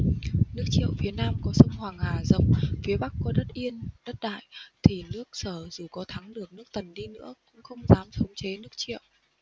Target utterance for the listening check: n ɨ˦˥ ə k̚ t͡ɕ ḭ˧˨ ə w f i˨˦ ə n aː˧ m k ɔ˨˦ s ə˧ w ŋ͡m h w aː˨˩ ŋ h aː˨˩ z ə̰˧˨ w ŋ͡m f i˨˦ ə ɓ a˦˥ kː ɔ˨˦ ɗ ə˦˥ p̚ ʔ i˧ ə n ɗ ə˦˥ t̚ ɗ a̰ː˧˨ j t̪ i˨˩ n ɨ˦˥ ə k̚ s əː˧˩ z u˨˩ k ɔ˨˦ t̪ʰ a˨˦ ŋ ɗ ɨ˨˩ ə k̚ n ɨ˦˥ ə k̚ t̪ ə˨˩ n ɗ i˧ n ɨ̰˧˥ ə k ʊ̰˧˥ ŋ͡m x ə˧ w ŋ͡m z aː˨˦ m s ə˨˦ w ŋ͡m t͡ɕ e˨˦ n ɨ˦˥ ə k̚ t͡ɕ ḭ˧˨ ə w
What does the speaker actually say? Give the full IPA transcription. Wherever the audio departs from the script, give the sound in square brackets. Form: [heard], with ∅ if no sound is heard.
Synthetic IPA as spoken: n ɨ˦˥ ə k̚ t͡ɕ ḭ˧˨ ə w f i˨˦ ə n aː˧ m k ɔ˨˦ s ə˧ w ŋ͡m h w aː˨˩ ŋ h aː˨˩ z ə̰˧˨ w ŋ͡m f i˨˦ ə ɓ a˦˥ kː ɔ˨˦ ɗ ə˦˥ [t̚] ʔ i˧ ə n ɗ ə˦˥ t̚ ɗ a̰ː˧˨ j [t̪ʰ] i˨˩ n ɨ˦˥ ə k̚ s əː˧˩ z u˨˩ k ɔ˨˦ t̪ʰ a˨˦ ŋ ɗ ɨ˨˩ ə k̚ n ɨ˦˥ ə k̚ t̪ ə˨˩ n ɗ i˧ n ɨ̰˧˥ ə k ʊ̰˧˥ ŋ͡m x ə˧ w ŋ͡m z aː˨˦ m s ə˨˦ w ŋ͡m t͡ɕ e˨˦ n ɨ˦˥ ə k̚ t͡ɕ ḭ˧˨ ə w